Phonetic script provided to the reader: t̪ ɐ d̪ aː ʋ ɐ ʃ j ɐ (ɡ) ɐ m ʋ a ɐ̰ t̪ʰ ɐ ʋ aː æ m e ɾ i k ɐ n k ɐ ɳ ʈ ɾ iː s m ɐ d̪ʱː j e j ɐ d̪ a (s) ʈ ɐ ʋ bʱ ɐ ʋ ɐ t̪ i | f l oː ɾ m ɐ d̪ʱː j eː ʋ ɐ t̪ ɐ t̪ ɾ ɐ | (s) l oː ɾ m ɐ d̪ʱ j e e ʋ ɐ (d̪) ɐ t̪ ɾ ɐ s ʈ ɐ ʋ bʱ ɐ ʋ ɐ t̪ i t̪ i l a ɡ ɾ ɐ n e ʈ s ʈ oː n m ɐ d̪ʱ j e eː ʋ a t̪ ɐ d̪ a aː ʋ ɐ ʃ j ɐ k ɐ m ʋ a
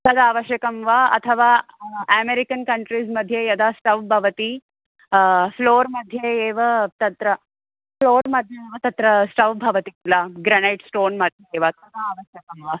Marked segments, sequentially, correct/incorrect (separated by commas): incorrect, correct, incorrect, incorrect